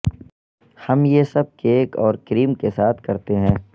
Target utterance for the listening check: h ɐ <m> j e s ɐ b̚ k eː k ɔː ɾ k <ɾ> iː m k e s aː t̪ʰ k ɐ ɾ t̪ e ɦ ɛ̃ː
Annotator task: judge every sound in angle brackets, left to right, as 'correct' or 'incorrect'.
correct, correct

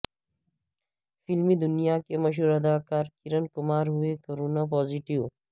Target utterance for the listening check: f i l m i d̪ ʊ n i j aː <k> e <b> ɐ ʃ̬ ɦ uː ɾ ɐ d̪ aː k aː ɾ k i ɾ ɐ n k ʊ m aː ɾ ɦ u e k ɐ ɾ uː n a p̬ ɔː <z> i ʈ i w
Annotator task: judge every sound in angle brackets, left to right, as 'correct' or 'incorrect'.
correct, incorrect, correct

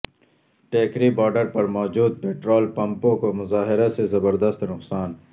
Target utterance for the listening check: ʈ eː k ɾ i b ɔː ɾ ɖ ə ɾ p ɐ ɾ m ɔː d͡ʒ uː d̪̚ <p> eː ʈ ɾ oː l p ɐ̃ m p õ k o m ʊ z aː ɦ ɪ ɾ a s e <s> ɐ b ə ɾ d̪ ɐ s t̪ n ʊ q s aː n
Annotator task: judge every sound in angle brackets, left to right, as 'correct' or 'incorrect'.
correct, incorrect

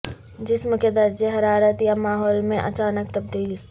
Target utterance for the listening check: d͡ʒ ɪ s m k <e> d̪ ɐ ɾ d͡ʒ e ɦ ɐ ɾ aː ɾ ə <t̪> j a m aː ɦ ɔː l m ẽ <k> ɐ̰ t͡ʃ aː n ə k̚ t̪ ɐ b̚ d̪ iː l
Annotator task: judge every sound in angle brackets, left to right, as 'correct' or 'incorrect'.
correct, correct, incorrect

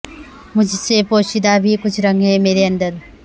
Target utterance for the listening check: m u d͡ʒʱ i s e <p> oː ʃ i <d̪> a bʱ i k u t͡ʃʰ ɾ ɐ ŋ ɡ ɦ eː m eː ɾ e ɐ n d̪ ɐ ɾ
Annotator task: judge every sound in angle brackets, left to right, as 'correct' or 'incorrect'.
correct, correct

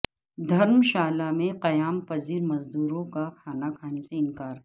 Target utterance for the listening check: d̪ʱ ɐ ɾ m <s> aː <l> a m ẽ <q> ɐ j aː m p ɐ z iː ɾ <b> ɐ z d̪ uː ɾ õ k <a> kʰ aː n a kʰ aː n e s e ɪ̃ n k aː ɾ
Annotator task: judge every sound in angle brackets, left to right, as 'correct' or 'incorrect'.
incorrect, correct, correct, incorrect, correct

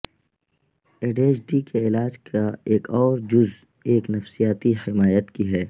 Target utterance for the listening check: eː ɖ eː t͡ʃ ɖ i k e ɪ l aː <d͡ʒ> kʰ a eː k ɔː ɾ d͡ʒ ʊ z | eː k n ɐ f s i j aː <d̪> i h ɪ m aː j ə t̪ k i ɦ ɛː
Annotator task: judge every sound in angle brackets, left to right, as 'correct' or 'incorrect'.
correct, incorrect

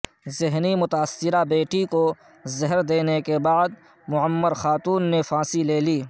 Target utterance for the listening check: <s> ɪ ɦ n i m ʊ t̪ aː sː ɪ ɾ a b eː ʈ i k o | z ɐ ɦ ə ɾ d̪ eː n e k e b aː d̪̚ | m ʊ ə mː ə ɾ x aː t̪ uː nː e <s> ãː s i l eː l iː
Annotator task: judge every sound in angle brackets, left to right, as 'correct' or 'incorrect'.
incorrect, incorrect

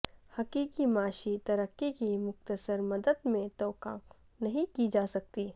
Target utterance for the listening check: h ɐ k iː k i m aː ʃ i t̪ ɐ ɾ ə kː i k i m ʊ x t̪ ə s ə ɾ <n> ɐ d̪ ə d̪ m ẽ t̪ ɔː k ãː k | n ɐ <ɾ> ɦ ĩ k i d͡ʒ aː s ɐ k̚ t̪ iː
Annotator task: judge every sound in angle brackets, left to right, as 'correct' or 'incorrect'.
incorrect, incorrect

